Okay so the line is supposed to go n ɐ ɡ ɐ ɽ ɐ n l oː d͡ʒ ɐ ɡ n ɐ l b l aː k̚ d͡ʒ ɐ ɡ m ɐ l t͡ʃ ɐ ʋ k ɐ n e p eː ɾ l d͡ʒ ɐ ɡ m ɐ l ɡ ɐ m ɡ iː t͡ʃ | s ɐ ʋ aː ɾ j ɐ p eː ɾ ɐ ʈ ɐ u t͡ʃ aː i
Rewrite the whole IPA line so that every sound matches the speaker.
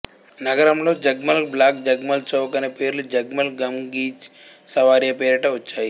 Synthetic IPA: n ɐ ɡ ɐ ɾ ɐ m l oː d͡ʒ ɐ ɡ m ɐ l b l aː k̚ d͡ʒ ɐ ɡ m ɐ l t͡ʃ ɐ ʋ k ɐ n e p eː ɾ l d͡ʒ ɐ ɡ m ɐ l ɡ ɐ m ɡ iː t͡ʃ | s ɐ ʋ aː ɾ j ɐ p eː ɾ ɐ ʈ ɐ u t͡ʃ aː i